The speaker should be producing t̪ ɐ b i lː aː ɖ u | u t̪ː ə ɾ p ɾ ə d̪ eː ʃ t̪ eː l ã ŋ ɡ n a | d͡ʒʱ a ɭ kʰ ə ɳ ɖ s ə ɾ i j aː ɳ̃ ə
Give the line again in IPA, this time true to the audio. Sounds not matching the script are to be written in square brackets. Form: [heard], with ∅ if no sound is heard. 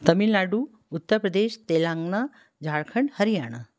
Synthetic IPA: t̪ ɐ [m] i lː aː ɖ u | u t̪ː ə ɾ p ɾ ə d̪ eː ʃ t̪ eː l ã ŋ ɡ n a | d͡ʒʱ a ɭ kʰ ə ɳ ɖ [h] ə ɾ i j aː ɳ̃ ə